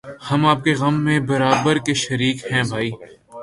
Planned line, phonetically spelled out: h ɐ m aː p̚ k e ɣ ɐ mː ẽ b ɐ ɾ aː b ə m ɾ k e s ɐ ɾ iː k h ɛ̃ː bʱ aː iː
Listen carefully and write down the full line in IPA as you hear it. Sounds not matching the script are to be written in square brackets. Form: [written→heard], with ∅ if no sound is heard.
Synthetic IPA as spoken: h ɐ m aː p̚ k e ɣ ɐ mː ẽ b ɐ ɾ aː b ə [m→∅] ɾ k e [s→ʃ] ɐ ɾ iː k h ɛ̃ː bʱ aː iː